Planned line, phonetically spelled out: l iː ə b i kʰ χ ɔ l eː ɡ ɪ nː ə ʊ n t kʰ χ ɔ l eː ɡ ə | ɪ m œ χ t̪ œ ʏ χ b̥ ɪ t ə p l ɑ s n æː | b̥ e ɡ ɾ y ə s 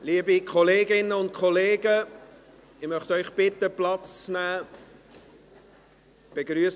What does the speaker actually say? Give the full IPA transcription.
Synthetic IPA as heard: l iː ə b i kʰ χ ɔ l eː ɡ ɪ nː ə ʊ n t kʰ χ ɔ l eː ɡ ə | ɪ m œ χ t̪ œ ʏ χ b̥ ɪ t ə p l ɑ t͡s n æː | b̥ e ɡ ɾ y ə s